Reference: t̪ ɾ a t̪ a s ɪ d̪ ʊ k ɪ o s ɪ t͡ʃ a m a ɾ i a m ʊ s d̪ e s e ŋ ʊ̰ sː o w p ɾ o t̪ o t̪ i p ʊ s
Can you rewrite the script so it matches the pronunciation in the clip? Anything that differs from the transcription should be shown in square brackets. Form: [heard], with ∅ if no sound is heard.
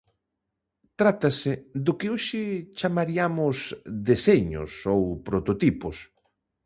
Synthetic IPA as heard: t̪ ɾ a t̪ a s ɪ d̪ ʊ k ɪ o [ʃ] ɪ t͡ʃ a m a ɾ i a m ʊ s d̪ e s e [ɲ] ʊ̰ [s] o w p ɾ o t̪ o t̪ i p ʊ s